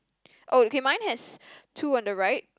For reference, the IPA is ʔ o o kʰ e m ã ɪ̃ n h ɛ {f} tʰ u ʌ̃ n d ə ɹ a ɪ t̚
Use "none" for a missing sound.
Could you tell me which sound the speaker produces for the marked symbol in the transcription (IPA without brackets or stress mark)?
s